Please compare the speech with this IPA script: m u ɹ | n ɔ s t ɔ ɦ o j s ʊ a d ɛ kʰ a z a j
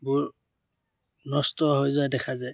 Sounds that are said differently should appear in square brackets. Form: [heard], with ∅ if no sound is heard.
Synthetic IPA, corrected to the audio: [b] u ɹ | n ɔ s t ɔ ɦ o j [z] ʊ a d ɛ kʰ a z a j

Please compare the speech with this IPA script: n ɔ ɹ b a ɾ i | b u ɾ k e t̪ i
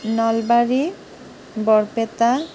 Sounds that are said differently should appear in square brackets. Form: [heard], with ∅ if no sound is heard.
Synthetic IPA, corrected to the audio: n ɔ [l] b a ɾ i | b [ɔ] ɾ [p] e t̪ [a]

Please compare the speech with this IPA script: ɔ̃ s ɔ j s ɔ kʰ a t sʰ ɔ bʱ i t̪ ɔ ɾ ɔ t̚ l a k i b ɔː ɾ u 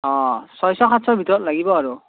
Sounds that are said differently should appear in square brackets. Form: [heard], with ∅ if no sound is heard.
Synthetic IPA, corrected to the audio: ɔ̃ s ɔ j s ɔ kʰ a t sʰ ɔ bʱ i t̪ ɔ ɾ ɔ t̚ l a [ɡ] i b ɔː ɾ u

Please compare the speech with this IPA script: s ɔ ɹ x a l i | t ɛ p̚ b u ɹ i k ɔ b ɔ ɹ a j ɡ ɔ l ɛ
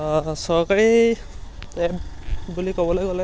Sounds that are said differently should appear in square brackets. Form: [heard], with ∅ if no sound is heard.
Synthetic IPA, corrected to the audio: s ɔ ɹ [k] a [ɹ] i | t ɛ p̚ b u [l] i k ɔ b ɔ [l] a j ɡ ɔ l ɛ

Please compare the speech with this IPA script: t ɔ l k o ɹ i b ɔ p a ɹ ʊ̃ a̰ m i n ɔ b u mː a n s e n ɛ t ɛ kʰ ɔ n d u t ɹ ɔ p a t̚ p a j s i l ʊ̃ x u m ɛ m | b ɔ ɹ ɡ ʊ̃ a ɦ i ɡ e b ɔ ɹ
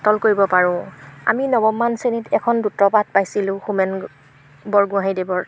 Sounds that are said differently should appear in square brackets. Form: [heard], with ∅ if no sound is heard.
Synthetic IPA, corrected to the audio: t ɔ l k o ɹ i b ɔ p a ɹ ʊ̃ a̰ m i n ɔ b [ɔ] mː a n s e n [i] t ɛ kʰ ɔ n d u t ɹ ɔ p a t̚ p a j s i l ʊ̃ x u m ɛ [n] | b ɔ ɹ ɡ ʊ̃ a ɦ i [d] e b ɔ ɹ

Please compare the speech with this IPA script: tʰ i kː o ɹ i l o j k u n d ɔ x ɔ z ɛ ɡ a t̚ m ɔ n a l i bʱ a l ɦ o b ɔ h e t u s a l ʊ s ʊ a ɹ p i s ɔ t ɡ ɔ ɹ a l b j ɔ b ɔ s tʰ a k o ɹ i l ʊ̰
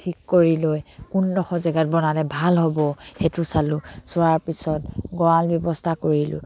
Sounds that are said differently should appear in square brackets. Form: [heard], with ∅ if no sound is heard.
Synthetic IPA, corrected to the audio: tʰ i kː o ɹ i l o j k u n d ɔ x ɔ z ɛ ɡ a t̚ [b] ɔ n a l [ɛ] bʱ a l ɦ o b ɔ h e t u s a l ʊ s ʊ a ɹ p i s ɔ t ɡ ɔ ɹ a l b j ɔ b ɔ s tʰ a k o ɹ i l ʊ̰

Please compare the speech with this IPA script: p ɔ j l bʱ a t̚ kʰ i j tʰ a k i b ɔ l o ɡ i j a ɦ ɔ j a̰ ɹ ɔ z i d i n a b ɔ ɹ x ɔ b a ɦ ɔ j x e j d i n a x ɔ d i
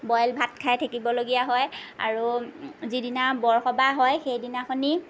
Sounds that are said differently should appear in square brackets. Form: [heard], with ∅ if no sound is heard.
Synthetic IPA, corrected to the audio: [b] ɔ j l bʱ a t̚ kʰ [a] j tʰ a k i b ɔ l o ɡ i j a ɦ ɔ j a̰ ɹ [u] z i d i n a b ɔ ɹ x ɔ b a ɦ ɔ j x e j d i n a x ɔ [n] i

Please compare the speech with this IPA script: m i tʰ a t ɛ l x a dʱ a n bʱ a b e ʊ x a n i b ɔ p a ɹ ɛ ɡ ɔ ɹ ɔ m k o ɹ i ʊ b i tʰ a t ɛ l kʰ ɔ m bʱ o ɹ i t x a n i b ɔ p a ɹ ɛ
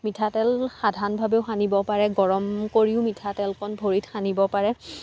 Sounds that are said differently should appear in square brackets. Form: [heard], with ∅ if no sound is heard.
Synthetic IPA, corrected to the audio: m i tʰ a t ɛ l x a dʱ a n bʱ a b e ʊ x a n i b ɔ p a ɹ ɛ ɡ ɔ ɹ ɔ m k o ɹ i ʊ [m] i tʰ a t ɛ l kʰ ɔ [n] bʱ o ɹ i t x a n i b ɔ p a ɹ ɛ

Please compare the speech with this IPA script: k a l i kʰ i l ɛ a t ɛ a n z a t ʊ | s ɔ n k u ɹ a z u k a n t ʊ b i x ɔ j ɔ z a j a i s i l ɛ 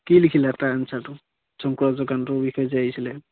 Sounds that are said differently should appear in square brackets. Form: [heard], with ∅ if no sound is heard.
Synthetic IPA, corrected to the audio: k [i] l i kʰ i l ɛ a t [a] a n [s] a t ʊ | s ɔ [ŋ] k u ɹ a z [ɔ] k a n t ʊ b i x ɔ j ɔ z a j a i s i l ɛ

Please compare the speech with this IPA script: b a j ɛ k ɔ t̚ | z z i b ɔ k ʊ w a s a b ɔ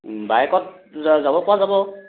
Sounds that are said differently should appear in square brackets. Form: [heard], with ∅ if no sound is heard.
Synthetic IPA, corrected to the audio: b a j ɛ k ɔ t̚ | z z [a] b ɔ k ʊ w a [z] a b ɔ

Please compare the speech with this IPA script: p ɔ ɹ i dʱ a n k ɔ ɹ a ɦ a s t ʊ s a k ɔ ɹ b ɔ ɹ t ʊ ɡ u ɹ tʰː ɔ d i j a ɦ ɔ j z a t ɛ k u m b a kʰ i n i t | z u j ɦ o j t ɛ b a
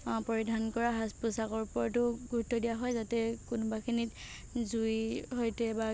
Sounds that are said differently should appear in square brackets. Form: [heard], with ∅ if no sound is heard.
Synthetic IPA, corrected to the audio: p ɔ ɹ i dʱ a n k ɔ ɹ a ɦ a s [p] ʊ s a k ɔ ɹ [p] ɔ ɹ t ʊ ɡ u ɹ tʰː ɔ d i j a ɦ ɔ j z a t ɛ k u [n] b a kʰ i n i t | z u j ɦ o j t ɛ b a

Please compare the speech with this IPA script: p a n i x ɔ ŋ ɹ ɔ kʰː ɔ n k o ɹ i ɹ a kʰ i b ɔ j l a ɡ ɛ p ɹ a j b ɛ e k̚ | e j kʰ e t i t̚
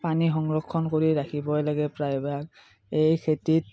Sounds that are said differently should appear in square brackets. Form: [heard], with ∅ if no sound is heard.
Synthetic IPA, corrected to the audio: p a n i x ɔ ŋ ɹ ɔ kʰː ɔ n k o ɹ i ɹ a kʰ i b ɔ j l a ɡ ɛ p ɹ a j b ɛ [a] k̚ | e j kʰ e t i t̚

